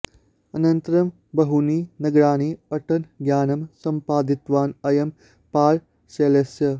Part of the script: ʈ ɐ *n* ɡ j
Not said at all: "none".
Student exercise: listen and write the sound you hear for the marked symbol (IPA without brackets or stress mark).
n